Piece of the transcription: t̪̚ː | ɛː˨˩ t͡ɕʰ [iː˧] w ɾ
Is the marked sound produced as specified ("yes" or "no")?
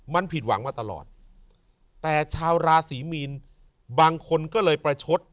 no